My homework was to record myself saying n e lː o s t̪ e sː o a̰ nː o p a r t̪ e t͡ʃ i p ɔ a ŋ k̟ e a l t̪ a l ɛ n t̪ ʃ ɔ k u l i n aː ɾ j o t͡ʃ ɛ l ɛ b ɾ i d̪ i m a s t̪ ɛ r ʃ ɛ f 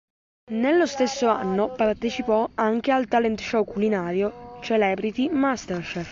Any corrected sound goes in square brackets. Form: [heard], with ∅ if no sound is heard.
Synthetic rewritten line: n e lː o s t̪ e sː o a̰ nː o p a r t̪ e t͡ʃ i p ɔ a ŋ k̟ e a l t̪ a l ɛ n t̪ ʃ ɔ k u l i n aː ɾ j o t͡ʃ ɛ l ɛ b ɾ i [t̪] i m a s t̪ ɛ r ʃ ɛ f